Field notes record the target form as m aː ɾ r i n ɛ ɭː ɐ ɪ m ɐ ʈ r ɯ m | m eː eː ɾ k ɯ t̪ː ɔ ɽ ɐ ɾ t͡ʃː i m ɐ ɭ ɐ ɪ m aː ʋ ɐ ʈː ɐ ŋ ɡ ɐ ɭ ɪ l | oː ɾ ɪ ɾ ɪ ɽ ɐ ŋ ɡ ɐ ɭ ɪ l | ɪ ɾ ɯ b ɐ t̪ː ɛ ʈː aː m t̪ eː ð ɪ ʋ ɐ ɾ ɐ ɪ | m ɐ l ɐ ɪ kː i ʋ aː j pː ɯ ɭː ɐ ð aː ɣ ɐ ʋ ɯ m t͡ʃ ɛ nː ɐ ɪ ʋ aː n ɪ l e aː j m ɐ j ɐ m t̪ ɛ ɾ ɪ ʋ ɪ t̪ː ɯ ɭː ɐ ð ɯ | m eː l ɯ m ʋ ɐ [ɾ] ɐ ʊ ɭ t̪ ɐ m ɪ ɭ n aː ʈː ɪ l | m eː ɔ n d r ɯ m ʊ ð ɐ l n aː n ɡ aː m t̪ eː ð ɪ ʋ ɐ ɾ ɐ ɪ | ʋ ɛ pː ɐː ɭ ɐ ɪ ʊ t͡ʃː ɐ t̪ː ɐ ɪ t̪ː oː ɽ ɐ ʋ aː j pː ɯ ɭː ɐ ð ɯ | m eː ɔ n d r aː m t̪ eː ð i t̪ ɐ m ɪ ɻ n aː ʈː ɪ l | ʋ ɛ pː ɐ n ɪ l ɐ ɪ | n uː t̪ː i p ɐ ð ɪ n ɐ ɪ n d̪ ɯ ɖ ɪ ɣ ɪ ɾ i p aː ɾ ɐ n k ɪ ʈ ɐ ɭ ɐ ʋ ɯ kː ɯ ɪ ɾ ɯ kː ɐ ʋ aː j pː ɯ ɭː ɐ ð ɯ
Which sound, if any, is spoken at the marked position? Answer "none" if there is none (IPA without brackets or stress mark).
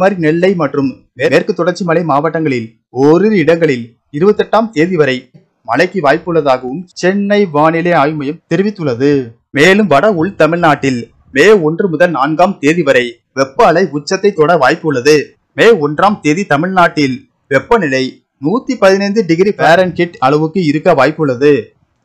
ɽ